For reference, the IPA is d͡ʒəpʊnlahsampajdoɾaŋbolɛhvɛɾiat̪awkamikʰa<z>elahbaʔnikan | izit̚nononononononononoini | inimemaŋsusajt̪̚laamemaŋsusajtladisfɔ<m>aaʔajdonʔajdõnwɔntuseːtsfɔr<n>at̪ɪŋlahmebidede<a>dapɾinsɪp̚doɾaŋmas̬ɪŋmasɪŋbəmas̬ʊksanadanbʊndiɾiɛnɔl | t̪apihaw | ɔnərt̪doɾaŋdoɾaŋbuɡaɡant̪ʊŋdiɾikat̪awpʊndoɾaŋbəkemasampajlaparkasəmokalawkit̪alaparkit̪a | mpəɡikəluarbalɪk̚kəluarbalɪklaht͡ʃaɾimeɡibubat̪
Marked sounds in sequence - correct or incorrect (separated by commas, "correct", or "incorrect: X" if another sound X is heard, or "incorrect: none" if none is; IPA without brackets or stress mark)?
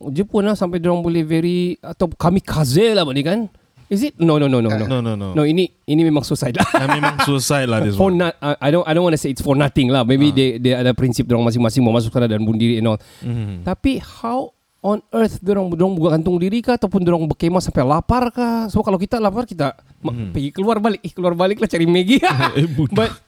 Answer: correct, incorrect: n, correct, correct